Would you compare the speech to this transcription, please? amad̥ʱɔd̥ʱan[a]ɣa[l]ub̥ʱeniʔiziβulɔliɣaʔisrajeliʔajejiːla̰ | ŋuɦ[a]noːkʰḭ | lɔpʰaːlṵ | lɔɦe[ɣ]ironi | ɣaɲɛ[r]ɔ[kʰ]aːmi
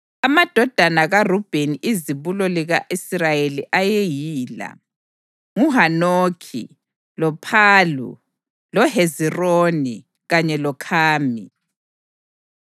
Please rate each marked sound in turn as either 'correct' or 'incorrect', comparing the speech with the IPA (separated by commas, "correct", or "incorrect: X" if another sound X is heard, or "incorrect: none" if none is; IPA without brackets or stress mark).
correct, incorrect: r, correct, incorrect: z, incorrect: l, correct